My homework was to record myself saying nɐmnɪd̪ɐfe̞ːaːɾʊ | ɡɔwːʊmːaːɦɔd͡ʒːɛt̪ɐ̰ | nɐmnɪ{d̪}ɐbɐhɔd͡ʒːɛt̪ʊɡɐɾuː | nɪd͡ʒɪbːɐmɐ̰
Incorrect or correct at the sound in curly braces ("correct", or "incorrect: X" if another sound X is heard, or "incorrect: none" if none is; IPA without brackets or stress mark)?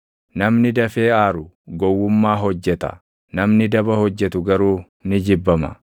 correct